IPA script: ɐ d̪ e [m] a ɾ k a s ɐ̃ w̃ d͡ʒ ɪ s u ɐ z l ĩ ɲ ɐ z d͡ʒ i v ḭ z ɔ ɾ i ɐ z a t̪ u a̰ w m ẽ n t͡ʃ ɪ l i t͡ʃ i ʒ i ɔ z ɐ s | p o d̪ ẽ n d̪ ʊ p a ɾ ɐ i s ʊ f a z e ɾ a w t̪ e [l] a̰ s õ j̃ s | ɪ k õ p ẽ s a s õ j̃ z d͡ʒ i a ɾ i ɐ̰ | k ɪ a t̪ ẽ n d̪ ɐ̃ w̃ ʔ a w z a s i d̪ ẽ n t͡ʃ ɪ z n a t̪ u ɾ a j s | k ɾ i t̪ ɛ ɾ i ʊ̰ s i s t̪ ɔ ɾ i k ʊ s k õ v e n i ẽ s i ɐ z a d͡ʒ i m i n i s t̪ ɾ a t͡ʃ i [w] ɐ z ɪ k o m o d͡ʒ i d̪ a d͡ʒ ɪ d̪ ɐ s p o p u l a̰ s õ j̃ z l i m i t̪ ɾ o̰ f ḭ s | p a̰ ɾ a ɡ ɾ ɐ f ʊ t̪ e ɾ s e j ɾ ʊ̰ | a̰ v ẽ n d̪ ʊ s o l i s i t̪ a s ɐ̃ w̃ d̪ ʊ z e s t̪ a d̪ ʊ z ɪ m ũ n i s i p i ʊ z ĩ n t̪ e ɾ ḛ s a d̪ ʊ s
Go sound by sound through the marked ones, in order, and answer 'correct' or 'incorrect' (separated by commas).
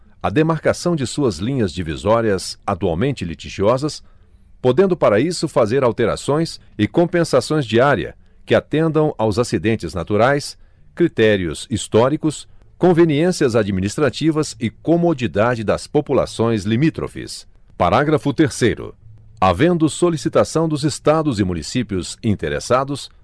correct, incorrect, incorrect